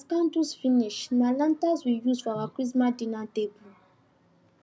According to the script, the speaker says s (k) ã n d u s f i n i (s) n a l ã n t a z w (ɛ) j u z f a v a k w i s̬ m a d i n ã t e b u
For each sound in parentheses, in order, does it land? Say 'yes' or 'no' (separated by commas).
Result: yes, no, no